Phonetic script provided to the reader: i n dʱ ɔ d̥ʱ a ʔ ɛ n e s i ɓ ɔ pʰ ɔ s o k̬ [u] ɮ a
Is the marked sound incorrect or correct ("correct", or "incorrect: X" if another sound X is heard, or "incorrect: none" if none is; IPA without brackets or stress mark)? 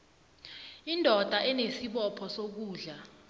incorrect: uː